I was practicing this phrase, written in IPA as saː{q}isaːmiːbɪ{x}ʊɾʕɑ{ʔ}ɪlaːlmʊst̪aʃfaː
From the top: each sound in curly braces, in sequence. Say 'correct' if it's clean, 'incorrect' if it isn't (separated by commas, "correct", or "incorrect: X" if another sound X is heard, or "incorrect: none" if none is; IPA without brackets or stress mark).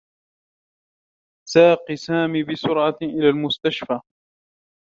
correct, incorrect: s, correct